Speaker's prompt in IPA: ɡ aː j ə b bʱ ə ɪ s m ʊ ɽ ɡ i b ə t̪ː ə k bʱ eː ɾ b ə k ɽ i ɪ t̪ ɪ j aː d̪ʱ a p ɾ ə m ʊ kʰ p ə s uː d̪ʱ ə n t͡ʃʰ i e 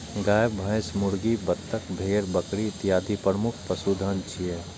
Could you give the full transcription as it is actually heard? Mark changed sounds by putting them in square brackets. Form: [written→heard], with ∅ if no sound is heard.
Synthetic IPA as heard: ɡ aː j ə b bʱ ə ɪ s m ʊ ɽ ɡ i b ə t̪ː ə k bʱ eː ɾ b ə k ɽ i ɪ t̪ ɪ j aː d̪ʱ [a→i] p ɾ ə m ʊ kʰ p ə s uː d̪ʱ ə n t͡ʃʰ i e